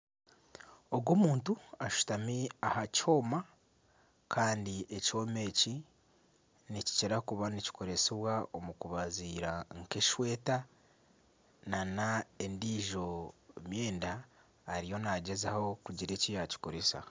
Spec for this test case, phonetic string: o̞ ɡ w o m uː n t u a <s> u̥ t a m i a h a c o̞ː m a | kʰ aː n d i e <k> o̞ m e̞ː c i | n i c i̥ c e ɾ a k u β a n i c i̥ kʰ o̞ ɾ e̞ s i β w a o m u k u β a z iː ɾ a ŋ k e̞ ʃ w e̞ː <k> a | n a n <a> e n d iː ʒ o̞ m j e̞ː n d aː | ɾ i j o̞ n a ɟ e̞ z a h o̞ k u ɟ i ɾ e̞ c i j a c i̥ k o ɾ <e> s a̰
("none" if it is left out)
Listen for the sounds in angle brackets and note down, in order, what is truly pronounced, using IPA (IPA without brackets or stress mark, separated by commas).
ʃ, c, t, a, e